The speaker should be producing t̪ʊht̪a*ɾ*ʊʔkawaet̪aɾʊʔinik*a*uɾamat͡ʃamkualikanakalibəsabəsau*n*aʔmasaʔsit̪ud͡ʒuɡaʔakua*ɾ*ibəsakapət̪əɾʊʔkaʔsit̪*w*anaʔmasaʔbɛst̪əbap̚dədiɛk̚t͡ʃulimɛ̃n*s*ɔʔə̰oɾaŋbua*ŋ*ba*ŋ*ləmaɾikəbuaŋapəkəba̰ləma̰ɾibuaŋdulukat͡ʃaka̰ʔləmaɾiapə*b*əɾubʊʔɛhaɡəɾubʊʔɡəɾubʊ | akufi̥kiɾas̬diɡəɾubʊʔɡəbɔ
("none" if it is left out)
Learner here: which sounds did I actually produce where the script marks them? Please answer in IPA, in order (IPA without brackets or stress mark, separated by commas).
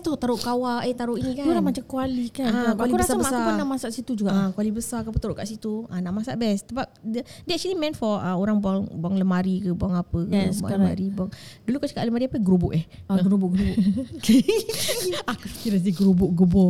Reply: ɾ, a, n, l, u, f, ŋ, ŋ, ɡ